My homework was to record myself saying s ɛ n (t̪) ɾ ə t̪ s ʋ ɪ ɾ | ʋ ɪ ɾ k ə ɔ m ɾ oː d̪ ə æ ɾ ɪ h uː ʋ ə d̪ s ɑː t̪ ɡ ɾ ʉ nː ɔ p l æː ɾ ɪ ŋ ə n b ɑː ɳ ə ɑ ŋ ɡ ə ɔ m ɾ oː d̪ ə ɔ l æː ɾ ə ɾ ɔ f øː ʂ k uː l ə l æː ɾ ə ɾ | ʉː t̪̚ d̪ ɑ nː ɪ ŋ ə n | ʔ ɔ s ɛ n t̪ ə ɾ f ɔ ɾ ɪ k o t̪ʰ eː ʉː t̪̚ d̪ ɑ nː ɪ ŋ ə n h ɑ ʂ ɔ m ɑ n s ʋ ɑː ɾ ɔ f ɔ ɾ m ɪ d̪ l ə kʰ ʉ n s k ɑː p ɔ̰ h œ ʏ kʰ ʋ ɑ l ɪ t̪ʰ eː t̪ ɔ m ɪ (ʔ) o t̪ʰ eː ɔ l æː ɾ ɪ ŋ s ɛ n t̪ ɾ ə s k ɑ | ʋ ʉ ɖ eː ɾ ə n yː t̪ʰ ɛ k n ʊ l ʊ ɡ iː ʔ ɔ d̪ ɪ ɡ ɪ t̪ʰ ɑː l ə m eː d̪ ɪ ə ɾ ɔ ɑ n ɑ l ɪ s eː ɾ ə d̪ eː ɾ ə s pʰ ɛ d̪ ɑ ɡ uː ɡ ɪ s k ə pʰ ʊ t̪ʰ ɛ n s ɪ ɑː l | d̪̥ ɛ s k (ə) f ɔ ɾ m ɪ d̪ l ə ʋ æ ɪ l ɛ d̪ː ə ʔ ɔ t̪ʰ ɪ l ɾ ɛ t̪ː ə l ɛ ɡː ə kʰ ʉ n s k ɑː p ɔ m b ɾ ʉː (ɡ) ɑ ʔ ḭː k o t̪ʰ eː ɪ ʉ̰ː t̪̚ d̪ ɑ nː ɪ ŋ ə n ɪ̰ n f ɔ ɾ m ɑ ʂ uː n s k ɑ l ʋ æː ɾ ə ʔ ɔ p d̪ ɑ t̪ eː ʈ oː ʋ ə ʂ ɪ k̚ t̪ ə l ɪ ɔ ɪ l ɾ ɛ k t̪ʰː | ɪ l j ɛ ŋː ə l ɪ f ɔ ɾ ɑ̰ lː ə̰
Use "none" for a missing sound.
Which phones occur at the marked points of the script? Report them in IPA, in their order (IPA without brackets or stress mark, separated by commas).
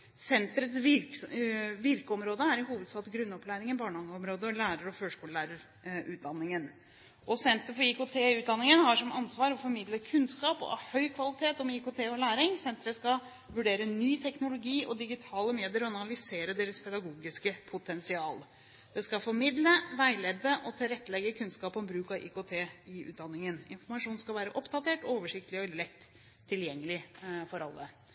t̪, k, ɑ, k